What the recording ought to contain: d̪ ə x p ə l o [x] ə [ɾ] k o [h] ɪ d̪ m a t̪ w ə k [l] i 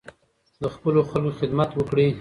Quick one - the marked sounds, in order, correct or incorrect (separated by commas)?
correct, incorrect, incorrect, incorrect